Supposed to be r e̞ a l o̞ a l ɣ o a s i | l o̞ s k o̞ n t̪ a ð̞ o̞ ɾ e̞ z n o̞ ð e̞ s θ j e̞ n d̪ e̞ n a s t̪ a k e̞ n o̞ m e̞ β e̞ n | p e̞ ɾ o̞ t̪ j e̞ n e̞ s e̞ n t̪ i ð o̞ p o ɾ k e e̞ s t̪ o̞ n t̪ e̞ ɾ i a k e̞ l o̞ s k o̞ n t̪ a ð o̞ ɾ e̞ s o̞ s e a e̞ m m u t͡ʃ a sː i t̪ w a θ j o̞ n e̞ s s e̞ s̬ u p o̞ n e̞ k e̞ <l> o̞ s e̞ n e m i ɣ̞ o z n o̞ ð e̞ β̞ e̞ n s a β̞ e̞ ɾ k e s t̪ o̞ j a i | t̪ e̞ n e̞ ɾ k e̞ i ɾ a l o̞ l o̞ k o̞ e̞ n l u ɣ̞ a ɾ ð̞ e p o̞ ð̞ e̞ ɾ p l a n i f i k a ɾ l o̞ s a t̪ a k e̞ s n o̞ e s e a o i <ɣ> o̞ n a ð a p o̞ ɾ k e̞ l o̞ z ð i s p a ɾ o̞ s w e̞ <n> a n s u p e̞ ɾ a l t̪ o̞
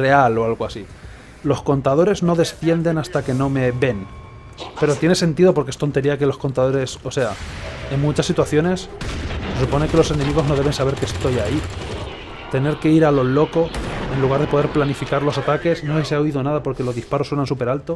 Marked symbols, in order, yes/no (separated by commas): yes, no, yes